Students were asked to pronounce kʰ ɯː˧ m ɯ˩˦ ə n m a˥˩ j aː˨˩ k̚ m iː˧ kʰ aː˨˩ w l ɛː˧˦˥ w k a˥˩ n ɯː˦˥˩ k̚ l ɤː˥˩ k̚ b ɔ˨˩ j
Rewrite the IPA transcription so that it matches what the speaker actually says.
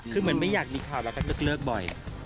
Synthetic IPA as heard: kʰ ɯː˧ m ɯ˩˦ ə n m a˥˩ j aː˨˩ k̚ m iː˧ kʰ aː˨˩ w l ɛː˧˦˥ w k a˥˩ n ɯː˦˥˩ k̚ l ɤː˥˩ k̚ b ɔ˨˩ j